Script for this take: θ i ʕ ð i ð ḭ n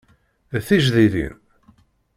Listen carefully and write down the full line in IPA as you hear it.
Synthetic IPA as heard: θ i ʒ ð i ð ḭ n